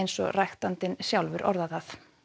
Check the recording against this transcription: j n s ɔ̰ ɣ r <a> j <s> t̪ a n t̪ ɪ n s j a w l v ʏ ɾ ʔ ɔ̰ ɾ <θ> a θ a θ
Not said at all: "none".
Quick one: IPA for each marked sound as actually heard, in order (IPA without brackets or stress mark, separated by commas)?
a, x, ð